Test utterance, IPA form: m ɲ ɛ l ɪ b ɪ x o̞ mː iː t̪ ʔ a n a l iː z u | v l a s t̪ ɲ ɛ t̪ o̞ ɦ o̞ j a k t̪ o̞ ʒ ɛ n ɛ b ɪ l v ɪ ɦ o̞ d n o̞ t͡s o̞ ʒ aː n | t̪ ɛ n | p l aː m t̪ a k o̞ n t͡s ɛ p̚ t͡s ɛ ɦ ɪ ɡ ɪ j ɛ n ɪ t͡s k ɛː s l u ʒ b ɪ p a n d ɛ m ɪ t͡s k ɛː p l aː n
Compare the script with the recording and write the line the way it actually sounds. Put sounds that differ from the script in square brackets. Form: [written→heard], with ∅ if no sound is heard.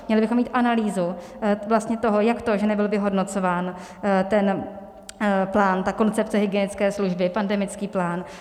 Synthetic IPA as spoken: m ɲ ɛ l ɪ b ɪ x o̞ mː iː t̪ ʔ a n a l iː z u | v l a s t̪ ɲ ɛ t̪ o̞ ɦ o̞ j a k t̪ o̞ ʒ ɛ n ɛ b ɪ l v ɪ ɦ o̞ d n o̞ t͡s o̞ [ʒ→v] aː n | t̪ ɛ n | p l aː [m→n] t̪ a k o̞ n t͡s ɛ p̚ t͡s ɛ ɦ ɪ ɡ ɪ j ɛ n ɪ t͡s k ɛː s l u ʒ b ɪ p a n d ɛ m ɪ t͡s k [ɛː→iː] p l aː n